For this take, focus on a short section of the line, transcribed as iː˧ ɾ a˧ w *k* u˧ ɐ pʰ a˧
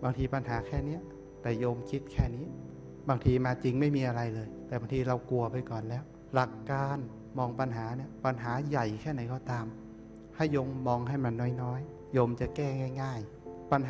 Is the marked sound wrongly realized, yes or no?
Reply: no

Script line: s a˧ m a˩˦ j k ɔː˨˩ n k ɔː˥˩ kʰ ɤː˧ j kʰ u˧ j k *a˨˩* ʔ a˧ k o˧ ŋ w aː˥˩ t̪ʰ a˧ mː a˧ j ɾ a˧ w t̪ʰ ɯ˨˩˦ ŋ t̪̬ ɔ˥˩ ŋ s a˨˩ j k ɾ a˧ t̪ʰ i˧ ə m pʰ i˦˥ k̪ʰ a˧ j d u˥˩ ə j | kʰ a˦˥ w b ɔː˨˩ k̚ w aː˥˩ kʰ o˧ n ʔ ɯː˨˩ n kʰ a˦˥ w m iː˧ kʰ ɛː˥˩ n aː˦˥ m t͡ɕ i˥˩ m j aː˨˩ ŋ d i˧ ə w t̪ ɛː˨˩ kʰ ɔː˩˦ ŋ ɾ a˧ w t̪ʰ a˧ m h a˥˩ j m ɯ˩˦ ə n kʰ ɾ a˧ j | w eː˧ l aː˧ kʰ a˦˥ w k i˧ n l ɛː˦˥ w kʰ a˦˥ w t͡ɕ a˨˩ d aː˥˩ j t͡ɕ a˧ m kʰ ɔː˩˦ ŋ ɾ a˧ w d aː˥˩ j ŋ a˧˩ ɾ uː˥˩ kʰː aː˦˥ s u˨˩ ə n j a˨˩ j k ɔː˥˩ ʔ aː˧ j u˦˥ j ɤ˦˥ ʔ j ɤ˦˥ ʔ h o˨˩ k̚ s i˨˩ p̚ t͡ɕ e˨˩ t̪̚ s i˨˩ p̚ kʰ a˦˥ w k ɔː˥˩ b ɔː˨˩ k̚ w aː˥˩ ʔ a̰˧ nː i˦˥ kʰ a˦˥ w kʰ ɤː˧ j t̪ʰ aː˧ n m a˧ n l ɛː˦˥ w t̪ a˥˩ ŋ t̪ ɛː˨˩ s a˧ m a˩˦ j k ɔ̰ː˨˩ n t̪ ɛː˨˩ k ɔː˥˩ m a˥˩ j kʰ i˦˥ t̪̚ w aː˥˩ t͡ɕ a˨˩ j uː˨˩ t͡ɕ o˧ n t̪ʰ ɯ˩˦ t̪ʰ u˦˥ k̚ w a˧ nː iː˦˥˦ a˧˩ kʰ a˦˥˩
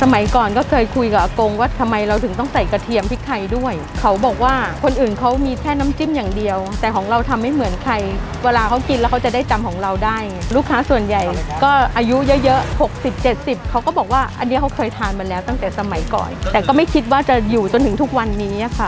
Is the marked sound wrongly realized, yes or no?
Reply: no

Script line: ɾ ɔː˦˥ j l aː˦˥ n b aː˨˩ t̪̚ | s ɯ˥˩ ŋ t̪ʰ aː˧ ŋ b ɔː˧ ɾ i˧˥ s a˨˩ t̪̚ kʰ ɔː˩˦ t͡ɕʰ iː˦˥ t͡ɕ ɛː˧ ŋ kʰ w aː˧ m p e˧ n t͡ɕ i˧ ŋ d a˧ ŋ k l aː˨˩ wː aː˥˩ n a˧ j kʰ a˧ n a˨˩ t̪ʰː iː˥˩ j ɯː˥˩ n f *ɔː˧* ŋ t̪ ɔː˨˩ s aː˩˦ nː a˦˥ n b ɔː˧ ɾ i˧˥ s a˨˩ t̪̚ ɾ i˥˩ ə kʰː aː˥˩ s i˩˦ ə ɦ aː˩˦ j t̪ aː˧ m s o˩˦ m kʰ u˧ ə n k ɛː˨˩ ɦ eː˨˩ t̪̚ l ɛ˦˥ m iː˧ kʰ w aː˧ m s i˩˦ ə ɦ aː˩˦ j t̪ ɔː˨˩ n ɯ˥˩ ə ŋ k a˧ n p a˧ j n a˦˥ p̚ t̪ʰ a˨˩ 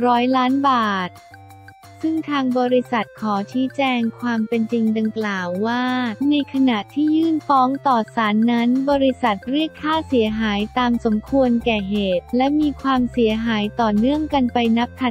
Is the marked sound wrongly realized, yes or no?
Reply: yes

